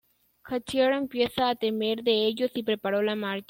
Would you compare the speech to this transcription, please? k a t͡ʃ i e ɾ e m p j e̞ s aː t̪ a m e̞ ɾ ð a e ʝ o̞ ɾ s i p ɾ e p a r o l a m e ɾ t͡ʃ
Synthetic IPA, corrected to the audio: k a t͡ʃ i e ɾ e m p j e̞ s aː t̪ e m e̞ ɾ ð e e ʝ o̞ s i p ɾ e p a ɾ o l a m a ɾ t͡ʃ